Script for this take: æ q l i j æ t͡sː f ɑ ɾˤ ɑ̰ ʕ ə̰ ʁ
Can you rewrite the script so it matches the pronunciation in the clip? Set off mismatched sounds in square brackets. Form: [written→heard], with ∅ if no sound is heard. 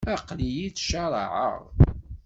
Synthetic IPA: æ q l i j [æ→i] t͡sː [f→ʃ] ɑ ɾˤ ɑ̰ ʕ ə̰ ʁ